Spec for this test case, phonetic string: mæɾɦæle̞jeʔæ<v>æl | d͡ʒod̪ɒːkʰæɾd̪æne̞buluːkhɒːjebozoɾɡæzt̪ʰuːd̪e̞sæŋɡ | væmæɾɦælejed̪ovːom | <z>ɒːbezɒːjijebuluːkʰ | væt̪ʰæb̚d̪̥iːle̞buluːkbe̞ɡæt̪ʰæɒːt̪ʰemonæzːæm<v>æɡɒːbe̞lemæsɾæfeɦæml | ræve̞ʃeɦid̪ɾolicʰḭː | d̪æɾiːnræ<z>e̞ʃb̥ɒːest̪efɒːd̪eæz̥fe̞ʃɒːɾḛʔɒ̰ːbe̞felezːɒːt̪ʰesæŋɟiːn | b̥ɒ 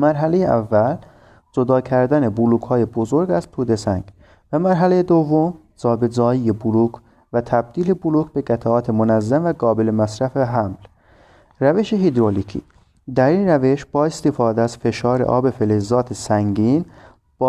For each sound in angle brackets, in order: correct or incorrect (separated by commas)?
incorrect, correct, correct, incorrect